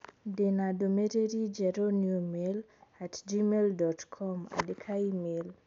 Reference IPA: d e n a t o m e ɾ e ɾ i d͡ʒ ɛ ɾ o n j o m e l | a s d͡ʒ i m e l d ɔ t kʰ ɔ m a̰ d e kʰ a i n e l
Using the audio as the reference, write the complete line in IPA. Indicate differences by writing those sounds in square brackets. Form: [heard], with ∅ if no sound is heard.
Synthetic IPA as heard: d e n a [d] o m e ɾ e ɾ i d͡ʒ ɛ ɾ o n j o m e l | a [t] d͡ʒ i m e l d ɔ t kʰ ɔ m a̰ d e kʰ a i [m] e l